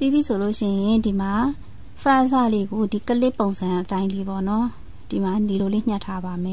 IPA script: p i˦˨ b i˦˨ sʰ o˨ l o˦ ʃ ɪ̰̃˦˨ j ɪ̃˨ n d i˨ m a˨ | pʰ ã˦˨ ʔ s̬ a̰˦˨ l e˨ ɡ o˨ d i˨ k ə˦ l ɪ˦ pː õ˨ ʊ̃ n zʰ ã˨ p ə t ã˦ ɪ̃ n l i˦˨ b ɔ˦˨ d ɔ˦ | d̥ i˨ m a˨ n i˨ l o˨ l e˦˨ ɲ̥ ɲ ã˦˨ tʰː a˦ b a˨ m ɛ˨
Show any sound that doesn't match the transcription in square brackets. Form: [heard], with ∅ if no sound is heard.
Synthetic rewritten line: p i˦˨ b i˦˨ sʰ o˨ l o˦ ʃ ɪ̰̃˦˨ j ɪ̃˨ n d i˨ m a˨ | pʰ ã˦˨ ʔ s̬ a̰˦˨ l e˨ ɡ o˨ d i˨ k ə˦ l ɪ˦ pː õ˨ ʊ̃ n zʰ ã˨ [ʔ] ə t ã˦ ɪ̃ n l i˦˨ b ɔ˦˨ [n] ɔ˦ | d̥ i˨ m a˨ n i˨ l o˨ l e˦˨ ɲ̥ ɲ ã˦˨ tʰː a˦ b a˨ m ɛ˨

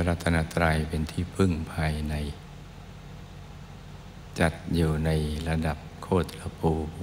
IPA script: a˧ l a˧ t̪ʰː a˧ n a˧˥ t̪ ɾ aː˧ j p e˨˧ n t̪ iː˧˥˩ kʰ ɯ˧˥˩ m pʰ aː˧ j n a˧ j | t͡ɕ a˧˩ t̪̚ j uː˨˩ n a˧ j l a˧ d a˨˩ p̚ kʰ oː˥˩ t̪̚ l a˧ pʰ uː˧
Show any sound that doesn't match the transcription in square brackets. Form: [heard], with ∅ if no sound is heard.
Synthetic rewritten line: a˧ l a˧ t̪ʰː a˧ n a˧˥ t̪ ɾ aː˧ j p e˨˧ n [t̪ʰ] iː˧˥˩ [pʰ] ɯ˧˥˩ [ŋ] pʰ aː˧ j n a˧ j | t͡ɕ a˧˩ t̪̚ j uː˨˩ n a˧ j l a˧ d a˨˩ p̚ kʰ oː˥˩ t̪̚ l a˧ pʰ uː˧

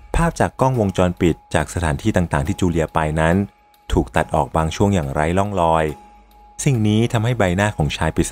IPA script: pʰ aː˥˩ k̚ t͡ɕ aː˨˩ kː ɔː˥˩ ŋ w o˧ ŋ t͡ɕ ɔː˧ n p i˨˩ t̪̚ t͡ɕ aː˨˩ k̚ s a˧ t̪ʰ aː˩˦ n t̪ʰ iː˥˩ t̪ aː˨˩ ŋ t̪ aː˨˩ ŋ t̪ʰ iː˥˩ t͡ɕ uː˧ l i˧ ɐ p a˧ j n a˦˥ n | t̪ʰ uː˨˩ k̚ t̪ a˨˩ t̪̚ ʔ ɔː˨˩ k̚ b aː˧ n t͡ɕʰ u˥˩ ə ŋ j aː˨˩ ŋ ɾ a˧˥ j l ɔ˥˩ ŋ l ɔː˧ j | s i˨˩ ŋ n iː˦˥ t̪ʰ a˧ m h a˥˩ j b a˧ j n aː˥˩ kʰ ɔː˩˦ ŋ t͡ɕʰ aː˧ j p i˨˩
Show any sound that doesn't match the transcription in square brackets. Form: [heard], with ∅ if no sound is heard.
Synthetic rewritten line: pʰ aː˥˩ [p̚] t͡ɕ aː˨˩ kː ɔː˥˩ ŋ w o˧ ŋ t͡ɕ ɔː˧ n p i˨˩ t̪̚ t͡ɕ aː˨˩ k̚ s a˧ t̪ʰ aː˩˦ n t̪ʰ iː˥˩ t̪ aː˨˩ ŋ t̪ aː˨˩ ŋ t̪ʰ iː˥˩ t͡ɕ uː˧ l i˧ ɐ p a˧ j n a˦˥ n | t̪ʰ uː˨˩ k̚ t̪ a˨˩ t̪̚ ʔ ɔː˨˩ k̚ b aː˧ [ŋ] t͡ɕʰ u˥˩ ə ŋ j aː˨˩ ŋ ɾ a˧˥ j l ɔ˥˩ ŋ l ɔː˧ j | s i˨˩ ŋ n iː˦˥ t̪ʰ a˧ m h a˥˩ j b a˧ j n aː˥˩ kʰ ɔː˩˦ ŋ t͡ɕʰ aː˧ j p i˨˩

